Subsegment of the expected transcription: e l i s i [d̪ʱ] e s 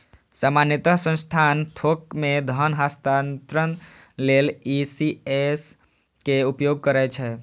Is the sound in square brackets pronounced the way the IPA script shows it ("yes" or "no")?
no